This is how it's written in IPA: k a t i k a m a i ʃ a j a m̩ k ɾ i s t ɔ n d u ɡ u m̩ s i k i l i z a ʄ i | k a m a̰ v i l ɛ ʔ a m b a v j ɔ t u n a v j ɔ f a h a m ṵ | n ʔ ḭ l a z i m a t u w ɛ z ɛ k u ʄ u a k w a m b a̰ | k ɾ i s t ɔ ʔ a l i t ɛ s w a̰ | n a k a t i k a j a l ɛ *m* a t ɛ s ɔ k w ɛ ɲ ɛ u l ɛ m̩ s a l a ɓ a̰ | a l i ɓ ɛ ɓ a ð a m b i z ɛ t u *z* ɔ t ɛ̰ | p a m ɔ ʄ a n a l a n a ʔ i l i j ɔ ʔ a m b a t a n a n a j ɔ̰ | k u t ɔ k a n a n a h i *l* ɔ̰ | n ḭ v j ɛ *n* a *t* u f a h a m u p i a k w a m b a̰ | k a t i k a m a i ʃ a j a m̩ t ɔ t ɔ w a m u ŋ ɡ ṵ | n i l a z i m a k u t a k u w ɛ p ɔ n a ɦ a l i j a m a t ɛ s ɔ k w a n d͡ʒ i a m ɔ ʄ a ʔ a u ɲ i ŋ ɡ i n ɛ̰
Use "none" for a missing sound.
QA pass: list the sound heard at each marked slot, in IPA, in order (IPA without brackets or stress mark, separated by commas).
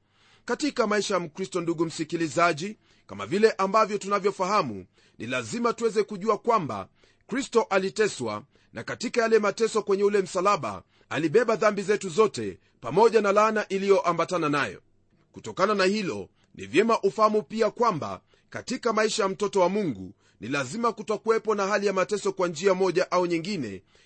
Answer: m, z, l, m, ʔ